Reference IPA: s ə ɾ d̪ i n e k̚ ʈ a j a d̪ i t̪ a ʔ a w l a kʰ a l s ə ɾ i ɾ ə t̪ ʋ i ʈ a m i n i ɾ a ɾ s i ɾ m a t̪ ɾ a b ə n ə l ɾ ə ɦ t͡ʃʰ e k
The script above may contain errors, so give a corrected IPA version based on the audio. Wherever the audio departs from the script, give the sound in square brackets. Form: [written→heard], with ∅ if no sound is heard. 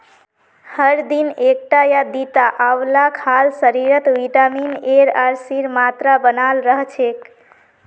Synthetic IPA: [s→h] ə ɾ d̪ i n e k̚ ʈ a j a d̪ i t̪ a ʔ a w l a kʰ a l s ə ɾ i ɾ ə t̪ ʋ i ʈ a m i n [i→e] ɾ a ɾ s i ɾ m a t̪ ɾ a b ə n [ə→a] l ɾ ə ɦ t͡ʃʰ e k